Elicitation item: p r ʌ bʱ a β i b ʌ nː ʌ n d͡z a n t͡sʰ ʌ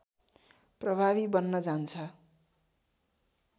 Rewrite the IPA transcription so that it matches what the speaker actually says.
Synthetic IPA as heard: p r ʌ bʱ a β i b ʌ nː ʌ d͡z a n t͡sʰ ʌ